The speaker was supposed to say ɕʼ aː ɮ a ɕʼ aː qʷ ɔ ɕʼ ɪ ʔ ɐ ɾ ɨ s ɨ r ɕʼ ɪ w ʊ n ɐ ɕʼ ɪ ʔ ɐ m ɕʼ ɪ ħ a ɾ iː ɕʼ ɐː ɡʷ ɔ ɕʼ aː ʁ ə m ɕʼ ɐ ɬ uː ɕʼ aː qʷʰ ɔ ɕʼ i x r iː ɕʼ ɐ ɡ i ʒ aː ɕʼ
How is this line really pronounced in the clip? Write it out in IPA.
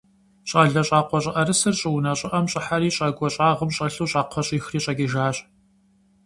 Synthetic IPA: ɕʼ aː ɮ ɐ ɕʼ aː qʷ ɔ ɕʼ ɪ ʔ ɐ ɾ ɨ s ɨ r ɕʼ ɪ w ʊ n ɐ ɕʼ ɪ ʔ ɐ m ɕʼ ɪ ħ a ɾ iː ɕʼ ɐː ɡʷ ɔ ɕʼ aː ʁ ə m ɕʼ ɐ ɬ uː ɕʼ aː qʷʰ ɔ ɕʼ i x r iː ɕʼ ɐ ɡ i ʒ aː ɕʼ

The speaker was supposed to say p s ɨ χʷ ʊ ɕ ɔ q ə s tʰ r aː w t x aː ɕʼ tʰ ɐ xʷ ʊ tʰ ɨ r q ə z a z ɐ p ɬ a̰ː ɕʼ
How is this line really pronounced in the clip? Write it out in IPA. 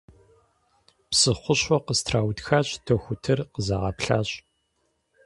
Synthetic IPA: p s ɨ χʷ ʊ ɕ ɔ q ə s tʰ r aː w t x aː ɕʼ tʰ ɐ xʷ ʊ tʰ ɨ r q ə z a ʁ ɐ p ɬ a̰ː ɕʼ

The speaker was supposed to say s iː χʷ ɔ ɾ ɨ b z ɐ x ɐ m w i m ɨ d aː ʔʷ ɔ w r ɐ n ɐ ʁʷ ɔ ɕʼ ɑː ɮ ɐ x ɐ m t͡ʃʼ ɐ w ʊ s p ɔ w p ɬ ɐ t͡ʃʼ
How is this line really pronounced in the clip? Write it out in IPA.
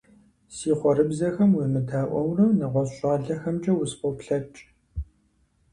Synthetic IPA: s iː χʷ ɔ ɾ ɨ b z ɐ x ɐ m w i m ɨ d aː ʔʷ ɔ w r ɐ n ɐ ʁʷ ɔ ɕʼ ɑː ɮ ɐ x ɐ m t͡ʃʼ ɐ w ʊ s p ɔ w p ɬ ɐ t͡ʃʼ

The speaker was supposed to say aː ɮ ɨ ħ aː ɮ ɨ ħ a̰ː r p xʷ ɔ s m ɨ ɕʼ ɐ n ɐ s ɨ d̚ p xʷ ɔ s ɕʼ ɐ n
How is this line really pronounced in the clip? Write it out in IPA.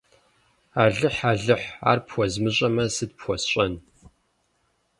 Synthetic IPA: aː ɮ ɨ ħ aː ɮ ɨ ħ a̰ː r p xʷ ɔ z m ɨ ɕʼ ɐ m ɐ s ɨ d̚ p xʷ ɔ s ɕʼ ɐ n

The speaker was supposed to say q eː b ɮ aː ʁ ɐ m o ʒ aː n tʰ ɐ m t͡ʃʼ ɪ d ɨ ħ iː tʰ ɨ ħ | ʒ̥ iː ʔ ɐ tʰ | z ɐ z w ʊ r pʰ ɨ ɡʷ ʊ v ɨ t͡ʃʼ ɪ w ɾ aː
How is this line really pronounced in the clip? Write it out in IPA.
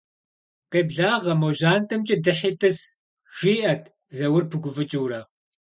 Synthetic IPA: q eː b ɮ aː ʁ ɐ m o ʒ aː n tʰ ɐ m t͡ʃʼ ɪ d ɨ ħ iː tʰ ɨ s | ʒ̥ iː ʔ ɐ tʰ | z ɐ w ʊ r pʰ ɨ ɡʷ ʊ v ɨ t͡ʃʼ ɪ w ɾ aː

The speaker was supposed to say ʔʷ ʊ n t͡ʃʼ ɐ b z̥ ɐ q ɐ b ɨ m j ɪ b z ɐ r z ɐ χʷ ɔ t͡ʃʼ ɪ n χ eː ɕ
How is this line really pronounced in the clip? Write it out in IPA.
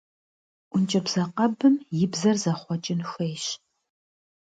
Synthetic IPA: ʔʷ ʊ n t͡ʃʼ ɐ b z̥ ɐ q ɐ b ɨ m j ɪ b z ɐ r z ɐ χʷ ɔ t͡ʃʼ ɪ n x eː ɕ

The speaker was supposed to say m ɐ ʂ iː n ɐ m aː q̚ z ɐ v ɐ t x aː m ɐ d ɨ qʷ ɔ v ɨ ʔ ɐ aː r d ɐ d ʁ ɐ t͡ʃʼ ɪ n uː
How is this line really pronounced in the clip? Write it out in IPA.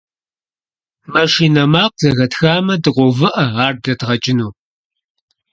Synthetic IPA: m ɐ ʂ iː n ɐ m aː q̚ z ɐ ɣ ɐ t x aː m ɐ d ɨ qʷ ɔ v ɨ ʔ ɐ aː r d ɐ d ʁ ɐ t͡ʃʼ ɪ n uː

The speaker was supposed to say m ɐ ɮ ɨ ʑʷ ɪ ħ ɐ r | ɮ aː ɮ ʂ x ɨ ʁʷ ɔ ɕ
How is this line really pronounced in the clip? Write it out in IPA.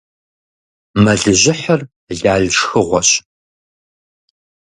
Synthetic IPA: m ɐ ɮ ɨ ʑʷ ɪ ħ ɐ r | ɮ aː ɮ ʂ x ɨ ʁʷ ɔ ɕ

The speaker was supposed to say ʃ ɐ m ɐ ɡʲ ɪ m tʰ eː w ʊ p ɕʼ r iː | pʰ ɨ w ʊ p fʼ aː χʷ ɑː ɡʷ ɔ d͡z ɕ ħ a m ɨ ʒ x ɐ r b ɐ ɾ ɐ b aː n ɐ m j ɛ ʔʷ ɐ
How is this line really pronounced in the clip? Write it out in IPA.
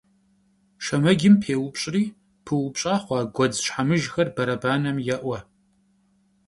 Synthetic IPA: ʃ ɐ m ɐ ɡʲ ɪ m pʰ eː w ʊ p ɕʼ r iː | pʰ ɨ w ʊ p ɕʼ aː χʷ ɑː ɡʷ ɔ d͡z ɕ ħ a m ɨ ʒ x ɐ r b ɐ ɾ ɐ b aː n ɐ m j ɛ ʔʷ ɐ

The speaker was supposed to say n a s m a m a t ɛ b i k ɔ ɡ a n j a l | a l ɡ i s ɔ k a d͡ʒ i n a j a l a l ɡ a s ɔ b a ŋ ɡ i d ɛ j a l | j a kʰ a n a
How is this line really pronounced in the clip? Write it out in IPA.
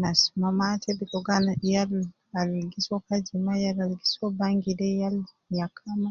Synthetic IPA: n a s m a m a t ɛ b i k ɔ ɡ a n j a l | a l ɡ i s ɔ k a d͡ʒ i m a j a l a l ɡ i s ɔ b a ŋ ɡ i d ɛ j a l | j a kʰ a m a

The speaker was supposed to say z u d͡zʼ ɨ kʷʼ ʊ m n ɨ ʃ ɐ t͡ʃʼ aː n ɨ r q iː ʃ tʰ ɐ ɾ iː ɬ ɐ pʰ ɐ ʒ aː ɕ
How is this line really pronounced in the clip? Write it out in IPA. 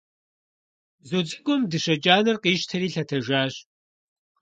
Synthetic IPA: z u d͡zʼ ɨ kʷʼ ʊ m d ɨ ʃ ɐ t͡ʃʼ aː n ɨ r q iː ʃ tʰ ɐ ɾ iː ɬ ɐ tʰ ɐ ʒ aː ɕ

